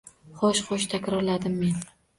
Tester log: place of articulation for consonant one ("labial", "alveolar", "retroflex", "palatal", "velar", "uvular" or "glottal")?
uvular